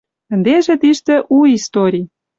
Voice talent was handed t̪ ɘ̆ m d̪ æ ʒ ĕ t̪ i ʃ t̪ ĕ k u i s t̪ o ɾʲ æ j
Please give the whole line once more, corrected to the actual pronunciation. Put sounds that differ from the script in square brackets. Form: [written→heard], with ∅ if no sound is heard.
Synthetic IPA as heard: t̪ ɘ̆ [m→n] d̪ [æ→e] ʒ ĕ t̪ i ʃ t̪ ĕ [k→ʔ] u i s t̪ o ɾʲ [æ→i] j